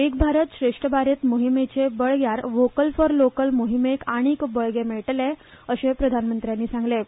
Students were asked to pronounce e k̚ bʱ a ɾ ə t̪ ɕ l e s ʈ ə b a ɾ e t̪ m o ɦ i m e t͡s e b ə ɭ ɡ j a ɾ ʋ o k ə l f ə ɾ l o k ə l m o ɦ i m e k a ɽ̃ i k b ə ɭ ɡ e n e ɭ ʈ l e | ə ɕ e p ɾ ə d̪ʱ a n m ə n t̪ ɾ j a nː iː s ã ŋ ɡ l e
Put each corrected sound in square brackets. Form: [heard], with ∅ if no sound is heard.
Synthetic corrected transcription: e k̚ bʱ a ɾ ə t̪ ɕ [ɾ] e [ʂ] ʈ ə b a ɾ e t̪ m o ɦ i m e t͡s e b ə ɭ ɡ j a ɾ ʋ o k ə l f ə ɾ l o k ə l m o ɦ i m e k a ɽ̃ i k b ə ɭ ɡ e [m] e ɭ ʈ l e | ə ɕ e p ɾ ə d̪ʱ a n m ə n t̪ ɾ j a nː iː s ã ŋ ɡ l e

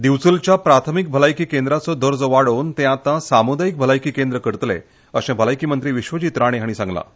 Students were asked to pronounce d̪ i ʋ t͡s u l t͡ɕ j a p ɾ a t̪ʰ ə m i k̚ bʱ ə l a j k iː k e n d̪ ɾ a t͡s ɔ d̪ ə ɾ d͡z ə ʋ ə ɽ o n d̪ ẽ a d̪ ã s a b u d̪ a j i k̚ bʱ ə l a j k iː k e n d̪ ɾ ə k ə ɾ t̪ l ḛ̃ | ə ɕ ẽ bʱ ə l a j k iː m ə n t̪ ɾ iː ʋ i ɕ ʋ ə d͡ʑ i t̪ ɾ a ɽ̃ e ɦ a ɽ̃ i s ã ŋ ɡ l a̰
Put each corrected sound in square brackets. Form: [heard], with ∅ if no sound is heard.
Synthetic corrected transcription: d̪ i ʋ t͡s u l t͡ɕ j a p ɾ a t̪ʰ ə m i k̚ bʱ ə l a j k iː k e n d̪ ɾ a t͡s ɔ d̪ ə ɾ d͡z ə ʋ [a] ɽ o n [t̪] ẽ a [t̪] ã s a [m] u d̪ a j i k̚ bʱ ə l a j k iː k e n d̪ ɾ ə k ə ɾ t̪ l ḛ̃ | ə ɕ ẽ bʱ ə l a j k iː m ə n t̪ ɾ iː ʋ i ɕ ʋ ə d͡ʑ i t̪ ɾ a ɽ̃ e ɦ a ɽ̃ i s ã ŋ ɡ l a̰

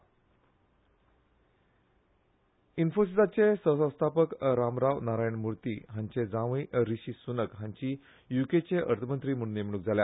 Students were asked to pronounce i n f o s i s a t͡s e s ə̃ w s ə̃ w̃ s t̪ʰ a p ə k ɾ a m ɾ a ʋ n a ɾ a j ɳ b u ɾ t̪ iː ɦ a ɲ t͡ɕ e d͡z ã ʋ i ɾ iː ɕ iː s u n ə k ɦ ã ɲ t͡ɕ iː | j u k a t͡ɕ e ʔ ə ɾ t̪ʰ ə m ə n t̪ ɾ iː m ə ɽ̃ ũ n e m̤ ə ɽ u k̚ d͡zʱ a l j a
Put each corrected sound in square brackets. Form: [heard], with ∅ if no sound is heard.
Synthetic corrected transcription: i n f o s i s a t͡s e s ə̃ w s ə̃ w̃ s t̪ʰ a p ə k ɾ a m ɾ a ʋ n a ɾ a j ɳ [m] u ɾ t̪ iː ɦ a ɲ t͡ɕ e d͡z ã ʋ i ɾ [i] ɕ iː s u n ə k ɦ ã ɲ t͡ɕ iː | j u k [e] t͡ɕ e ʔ ə ɾ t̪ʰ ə m ə n t̪ ɾ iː m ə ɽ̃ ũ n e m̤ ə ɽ u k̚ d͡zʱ a l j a

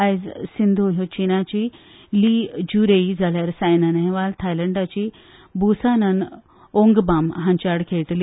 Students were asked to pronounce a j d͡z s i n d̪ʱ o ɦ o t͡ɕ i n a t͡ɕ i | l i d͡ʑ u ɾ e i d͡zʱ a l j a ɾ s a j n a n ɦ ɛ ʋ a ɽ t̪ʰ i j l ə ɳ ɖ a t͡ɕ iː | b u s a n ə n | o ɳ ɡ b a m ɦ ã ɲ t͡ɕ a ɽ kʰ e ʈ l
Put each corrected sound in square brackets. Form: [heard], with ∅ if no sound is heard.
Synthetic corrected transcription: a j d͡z s i n d̪ʱ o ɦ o t͡ɕ i n a t͡ɕ i | l i d͡ʑ u ɾ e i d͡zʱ a l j a ɾ s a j n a n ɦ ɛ ʋ a [l] t̪ʰ [a] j l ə ɳ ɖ a t͡ɕ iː | b u s a n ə n | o [ŋ] ɡ b a m ɦ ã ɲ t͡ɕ a ɽ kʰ e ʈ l

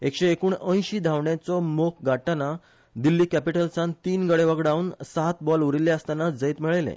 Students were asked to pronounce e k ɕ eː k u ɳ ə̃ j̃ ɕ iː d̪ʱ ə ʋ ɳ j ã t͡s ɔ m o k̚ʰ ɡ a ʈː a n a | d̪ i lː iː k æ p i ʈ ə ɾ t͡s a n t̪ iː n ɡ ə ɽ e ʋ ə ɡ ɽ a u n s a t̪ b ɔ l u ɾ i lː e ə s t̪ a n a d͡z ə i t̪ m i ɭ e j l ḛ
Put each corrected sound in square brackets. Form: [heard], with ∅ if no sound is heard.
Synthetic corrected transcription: e k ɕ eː k [uː] ɳ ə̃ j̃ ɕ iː d̪ʱ [a] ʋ ɳ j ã t͡s ɔ m o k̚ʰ ɡ a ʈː a n a | d̪ i lː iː k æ p i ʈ ə [l] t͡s a n t̪ iː n ɡ ə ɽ e ʋ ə ɡ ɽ a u n s a t̪ b ɔ l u ɾ i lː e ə s t̪ a n a d͡z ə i t̪ m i ɭ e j l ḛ

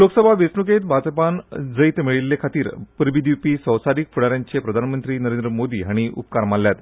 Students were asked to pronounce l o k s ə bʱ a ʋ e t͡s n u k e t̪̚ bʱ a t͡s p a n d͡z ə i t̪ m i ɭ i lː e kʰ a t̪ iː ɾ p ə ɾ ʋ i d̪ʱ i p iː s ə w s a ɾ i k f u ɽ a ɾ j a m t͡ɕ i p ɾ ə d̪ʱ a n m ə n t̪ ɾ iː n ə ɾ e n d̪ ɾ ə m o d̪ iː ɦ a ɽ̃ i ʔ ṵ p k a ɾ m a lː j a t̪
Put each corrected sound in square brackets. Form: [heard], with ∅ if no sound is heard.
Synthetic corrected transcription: l o k s ə bʱ a ʋ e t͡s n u k e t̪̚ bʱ a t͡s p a n d͡z ə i t̪ m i ɭ i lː e kʰ a t̪ iː ɾ p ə ɾ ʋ i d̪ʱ i p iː s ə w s a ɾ i k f u ɽ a ɾ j a [ɲ] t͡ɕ [e] p ɾ ə d̪ʱ a n m ə n t̪ ɾ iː n ə ɾ e n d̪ ɾ ə m o d̪ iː ɦ a ɽ̃ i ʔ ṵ p k a ɾ m a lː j a t̪

